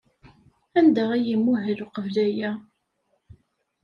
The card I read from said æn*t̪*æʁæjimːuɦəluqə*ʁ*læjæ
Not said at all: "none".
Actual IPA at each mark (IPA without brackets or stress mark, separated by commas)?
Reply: d̪, v